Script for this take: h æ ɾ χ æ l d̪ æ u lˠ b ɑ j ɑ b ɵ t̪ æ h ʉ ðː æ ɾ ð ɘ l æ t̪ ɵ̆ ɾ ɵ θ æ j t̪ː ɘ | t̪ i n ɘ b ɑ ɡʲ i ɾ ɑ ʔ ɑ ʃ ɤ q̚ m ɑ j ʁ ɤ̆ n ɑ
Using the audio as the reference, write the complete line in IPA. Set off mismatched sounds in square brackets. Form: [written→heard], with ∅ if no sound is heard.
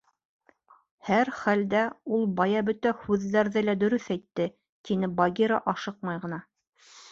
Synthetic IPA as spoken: h æ ɾ χ æ l d̪ æ u lˠ b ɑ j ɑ b ɵ t̪ æ h ʉ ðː æ ɾ ð ɘ l æ [t̪→d̪] ɵ̆ ɾ ɵ θ æ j t̪ː ɘ | t̪ i n ɘ b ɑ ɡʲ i ɾ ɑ ʔ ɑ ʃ ɤ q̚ m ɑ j ʁ ɤ̆ n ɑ